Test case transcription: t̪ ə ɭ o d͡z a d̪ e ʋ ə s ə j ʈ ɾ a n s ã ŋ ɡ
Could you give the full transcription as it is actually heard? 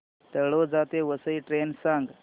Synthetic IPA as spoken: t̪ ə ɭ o d͡z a t̪ e ʋ ə s ə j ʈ ɾ e n s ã ŋ ɡ

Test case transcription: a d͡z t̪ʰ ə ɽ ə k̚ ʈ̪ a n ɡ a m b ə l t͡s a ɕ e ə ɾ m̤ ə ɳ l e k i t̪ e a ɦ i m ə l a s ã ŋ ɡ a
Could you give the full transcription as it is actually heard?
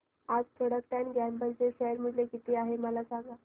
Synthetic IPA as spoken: a d͡z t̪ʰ ə ɽ ə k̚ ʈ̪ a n ɡ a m b ə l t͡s e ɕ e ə ɾ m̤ ə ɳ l e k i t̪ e a ɦ e m ə l a s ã ŋ ɡ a

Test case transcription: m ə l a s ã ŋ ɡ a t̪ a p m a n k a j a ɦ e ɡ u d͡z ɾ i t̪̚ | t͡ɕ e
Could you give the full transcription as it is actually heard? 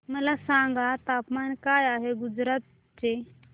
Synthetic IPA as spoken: m ə l a s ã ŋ ɡ a t̪ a p m a n k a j a ɦ e ɡ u d͡z ɾ a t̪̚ | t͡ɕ e

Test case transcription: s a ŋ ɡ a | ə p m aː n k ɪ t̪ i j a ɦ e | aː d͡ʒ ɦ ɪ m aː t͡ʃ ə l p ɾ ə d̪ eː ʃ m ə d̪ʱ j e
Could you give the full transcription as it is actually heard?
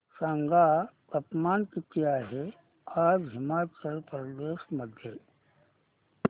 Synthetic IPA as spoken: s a ŋ ɡ a | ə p m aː n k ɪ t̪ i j a ɦ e | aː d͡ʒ ɦ ɪ m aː t͡ʃ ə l p ɾ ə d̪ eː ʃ m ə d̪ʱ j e

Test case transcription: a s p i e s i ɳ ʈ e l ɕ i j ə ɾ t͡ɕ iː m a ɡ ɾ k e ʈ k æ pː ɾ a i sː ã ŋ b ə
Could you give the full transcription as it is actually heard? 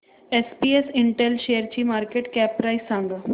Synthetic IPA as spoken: e s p i e s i ɳ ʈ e l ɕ e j ə ɾ t͡ɕ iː m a ɾ k e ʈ k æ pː ɾ a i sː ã ŋ ɡ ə

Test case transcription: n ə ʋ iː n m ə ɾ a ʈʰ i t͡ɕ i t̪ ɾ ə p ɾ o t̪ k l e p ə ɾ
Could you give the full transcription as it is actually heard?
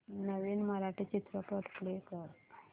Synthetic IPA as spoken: n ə ʋ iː n m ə ɾ a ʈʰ i t͡ɕ i t̪ ɾ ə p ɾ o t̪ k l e k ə ɾ

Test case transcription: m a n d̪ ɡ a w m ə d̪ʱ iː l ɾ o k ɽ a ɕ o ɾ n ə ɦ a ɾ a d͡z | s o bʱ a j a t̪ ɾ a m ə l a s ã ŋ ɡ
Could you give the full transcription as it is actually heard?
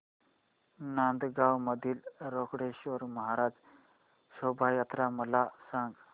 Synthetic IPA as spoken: n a n d̪ ɡ a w m ə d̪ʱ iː l ɾ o k ɽ e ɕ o ɾ m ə ɦ a ɾ a d͡z | s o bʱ a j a t̪ ɾ a m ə l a s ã ŋ ɡ

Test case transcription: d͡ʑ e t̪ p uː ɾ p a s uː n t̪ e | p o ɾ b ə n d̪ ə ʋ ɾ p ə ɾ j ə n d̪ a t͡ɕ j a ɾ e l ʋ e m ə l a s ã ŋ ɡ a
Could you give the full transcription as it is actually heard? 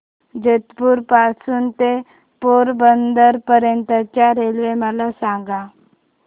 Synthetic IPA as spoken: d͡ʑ e t̪ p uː ɾ p a s uː n t̪ e | p o ɾ b ə n d̪ ə ɾ p ə ɾ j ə n t̪ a t͡ɕ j a ɾ e l ʋ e m ə l a s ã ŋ ɡ a

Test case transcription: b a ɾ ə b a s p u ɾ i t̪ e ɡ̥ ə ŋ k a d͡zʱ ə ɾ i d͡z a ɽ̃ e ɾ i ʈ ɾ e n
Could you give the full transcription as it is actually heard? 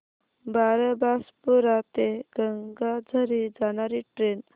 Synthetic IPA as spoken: b a ɾ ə b a s p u ɾ a t̪ e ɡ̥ ə ŋ ɡ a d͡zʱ ə ɾ i d͡z a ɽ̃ a ɾ i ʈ ɾ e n

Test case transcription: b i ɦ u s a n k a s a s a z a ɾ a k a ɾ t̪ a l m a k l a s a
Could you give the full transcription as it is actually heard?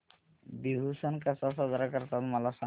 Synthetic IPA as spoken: b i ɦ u s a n k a s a s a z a ɾ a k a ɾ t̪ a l m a l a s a

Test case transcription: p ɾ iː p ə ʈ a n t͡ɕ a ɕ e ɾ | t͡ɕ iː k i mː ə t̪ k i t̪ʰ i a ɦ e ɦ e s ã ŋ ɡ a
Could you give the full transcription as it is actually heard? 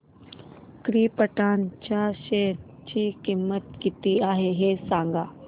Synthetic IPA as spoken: k ɾ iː p ə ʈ a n t͡ɕ a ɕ e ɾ | t͡ɕ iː k i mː ə t̪ k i t̪ i a ɦ e ɦ e s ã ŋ ɡ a

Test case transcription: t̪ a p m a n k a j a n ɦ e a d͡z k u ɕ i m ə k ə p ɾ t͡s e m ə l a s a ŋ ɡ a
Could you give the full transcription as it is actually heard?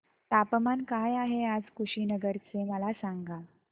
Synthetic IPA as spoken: t̪ a p m a n k a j a ɦ e a d͡z k u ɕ i n ə ɡ ə ɾ t͡s e m ə l a s a ŋ ɡ a

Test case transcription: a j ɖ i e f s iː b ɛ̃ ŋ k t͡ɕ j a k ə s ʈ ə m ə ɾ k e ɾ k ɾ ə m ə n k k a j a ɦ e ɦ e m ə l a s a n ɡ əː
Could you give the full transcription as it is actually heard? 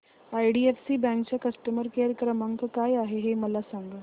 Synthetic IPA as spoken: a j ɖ i e f s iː b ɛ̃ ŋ k t͡ɕ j a k ə s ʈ ə m ə ɾ k e ɾ k ɾ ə m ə ŋ k k a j a ɦ e ɦ e m ə l a s a ŋ ɡ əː

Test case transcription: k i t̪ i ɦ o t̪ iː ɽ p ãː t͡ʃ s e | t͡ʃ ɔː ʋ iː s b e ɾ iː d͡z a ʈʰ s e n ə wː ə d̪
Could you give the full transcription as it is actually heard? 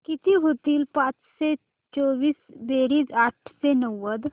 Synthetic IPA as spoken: k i t̪ i ɦ o t̪ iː l p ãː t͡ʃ s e | t͡ʃ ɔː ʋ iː s b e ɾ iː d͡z a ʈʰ s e n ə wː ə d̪

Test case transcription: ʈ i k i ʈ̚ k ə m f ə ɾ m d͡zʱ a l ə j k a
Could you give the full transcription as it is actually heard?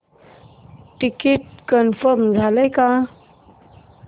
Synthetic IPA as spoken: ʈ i k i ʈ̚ k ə n f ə ɾ m d͡zʱ a l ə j k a

